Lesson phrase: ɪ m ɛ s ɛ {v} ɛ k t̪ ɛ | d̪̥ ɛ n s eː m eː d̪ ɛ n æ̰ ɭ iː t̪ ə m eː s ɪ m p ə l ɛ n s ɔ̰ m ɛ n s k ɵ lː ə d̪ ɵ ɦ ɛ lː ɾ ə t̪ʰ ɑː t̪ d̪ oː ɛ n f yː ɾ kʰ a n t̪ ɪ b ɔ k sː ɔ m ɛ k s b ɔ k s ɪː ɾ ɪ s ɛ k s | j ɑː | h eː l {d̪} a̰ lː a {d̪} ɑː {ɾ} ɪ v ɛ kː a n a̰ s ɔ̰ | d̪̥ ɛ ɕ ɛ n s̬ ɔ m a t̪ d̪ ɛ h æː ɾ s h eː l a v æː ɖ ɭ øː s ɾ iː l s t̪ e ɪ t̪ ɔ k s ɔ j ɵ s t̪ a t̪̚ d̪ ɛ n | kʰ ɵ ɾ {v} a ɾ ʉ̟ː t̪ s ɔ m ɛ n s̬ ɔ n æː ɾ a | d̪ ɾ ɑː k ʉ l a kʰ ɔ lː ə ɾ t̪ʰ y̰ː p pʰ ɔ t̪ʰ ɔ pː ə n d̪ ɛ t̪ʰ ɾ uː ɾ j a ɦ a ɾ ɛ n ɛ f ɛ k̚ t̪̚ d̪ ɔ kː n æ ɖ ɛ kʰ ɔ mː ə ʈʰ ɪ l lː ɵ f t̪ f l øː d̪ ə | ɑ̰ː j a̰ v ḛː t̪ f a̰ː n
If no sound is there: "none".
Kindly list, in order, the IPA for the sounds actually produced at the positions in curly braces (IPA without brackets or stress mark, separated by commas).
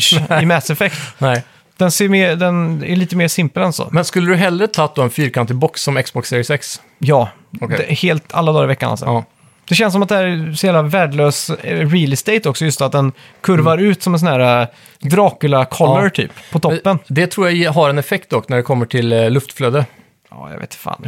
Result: f, t̪, d̪, ɾ, v